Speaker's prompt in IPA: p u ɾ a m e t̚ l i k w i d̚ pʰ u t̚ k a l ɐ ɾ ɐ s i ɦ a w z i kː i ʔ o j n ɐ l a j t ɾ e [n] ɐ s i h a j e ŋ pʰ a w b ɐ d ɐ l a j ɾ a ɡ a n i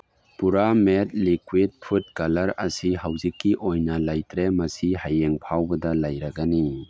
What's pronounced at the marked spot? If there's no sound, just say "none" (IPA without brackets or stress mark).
m